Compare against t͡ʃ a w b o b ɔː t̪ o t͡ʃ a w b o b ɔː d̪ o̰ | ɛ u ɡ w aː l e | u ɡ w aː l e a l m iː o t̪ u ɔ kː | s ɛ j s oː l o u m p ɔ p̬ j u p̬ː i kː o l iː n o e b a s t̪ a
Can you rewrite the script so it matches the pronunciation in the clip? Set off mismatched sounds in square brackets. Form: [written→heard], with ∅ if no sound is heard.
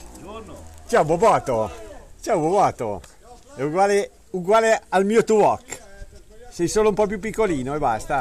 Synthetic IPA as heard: t͡ʃ a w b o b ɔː t̪ o t͡ʃ a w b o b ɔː [d̪→t̪] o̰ | ɛ u ɡ w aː l e | u ɡ w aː l e a l m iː o t̪ u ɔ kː | s ɛ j s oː l o u m p ɔ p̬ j u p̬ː i kː o l iː n o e b a s t̪ a